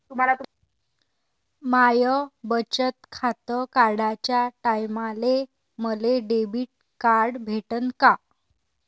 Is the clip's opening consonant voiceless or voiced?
voiceless